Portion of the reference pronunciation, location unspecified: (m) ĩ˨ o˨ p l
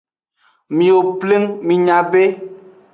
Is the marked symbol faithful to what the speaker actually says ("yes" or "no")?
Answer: yes